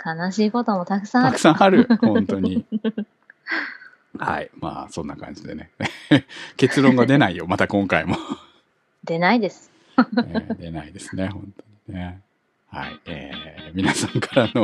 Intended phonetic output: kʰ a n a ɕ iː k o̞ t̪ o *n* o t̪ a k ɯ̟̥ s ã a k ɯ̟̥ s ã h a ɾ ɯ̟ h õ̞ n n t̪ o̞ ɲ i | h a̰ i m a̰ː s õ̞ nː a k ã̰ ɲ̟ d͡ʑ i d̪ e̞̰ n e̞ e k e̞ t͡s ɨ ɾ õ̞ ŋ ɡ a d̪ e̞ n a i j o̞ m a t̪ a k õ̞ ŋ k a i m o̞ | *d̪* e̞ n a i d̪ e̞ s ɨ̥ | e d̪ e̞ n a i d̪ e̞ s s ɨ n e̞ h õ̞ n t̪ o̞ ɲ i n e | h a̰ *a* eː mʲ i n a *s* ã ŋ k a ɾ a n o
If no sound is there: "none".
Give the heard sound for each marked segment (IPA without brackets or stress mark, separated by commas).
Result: m, d̪, i, s